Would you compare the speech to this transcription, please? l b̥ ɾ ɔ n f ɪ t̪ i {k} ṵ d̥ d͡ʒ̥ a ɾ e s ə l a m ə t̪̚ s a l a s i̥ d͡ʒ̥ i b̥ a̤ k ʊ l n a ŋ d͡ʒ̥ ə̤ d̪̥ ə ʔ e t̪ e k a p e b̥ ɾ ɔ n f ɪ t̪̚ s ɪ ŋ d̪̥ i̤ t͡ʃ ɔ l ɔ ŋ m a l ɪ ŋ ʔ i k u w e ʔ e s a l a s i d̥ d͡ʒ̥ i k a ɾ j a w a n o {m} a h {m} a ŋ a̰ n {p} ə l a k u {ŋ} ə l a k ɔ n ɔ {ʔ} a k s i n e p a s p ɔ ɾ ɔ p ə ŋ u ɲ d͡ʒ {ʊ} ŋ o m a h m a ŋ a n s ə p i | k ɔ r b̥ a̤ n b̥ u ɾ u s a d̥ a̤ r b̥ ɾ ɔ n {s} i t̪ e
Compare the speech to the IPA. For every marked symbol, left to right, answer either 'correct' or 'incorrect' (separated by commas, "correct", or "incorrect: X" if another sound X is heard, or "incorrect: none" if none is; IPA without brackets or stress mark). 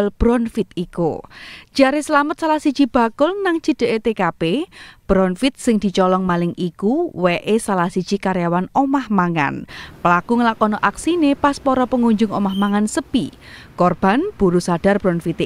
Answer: correct, correct, correct, correct, correct, correct, correct, incorrect: f